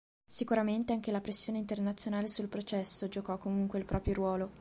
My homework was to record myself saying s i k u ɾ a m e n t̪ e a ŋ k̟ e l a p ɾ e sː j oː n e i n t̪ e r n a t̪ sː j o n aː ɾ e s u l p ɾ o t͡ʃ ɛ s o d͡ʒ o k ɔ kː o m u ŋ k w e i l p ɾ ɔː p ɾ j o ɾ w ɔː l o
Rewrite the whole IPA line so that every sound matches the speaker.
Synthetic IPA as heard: s i k u ɾ a m e n t̪ e a ŋ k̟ e l a p ɾ e sː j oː n e i n t̪ e r n a t̪ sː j o n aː l e s u l p ɾ o t͡ʃ ɛ sː o d͡ʒ o k ɔ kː o m u ŋ k w e i l p ɾ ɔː p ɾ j o ɾ w ɔː l o

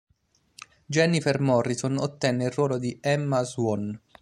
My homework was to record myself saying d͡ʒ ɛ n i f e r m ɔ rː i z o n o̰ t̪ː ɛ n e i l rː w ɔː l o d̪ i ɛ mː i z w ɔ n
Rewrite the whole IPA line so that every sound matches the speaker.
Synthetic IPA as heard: d͡ʒ ɛ n i f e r m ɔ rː i s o n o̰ t̪ː ɛ nː e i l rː w ɔː l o d̪ i ɛ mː a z w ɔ n

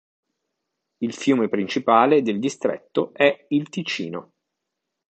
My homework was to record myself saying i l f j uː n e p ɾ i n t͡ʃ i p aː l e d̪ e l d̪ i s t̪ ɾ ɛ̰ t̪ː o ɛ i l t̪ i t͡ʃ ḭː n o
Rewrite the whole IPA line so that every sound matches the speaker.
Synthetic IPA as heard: i l f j uː m e p ɾ i n t͡ʃ i p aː l e d̪ e l d̪ i s t̪ ɾ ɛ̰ t̪ː o ɛ i l t̪ i t͡ʃ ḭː n o

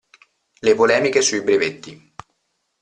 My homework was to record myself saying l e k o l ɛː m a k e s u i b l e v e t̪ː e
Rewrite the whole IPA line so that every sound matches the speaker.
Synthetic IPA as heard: l e p o l ɛː m i k e s u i b ɾ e v e t̪ː i

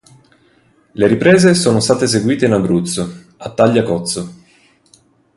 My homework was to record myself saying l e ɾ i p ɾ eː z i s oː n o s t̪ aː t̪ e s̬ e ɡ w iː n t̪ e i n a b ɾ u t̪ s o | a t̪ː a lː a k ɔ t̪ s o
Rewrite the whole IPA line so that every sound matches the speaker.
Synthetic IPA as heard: l e ɾ i p ɾ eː z e s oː n o s t̪ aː t̪ e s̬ e ɡ w iː t̪ e i n a b ɾ u t̪ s o | a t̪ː a ʎː a k ɔ t̪ s o

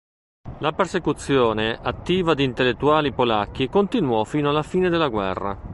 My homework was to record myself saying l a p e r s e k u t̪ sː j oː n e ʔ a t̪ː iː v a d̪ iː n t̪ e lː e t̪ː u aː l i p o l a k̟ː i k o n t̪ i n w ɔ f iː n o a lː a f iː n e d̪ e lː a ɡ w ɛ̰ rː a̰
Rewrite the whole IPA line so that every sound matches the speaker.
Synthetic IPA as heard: l a p e r s e k u t̪ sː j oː n e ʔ a t̪ː iː v a d̪ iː n t̪ e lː e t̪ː u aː l i p o l a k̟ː i k o n t̪ i n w ɔ f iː n o a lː a f iː n e d̪ e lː a ɡ w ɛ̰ rː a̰

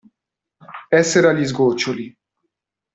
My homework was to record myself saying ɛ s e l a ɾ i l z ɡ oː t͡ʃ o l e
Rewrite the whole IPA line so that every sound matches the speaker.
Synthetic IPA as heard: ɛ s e ɾ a l i z ɡ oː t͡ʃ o l i

